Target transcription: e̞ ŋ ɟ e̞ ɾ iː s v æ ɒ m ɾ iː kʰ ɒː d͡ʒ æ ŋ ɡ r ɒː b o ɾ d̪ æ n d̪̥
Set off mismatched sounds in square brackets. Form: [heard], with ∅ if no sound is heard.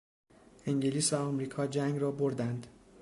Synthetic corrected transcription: e̞ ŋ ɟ e̞ [l] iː s v æ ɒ m ɾ iː kʰ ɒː d͡ʒ æ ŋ ɡ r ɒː b o ɾ d̪ æ n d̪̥